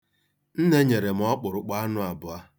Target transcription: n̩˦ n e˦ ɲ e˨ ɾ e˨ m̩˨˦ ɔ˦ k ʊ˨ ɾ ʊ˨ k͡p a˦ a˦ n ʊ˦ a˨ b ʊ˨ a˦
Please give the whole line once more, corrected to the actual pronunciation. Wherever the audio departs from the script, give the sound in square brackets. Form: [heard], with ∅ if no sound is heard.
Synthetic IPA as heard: n̩˦ n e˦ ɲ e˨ ɾ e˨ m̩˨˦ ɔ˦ [k͡p] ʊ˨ ɾ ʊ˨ k͡p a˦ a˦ n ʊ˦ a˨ b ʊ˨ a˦